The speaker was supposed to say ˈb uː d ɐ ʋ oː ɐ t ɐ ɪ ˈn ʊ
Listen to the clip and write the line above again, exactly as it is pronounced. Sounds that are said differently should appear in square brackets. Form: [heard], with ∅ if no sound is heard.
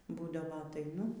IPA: ˈb uː d ɐ ʋ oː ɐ t ɐ ɪ ˈn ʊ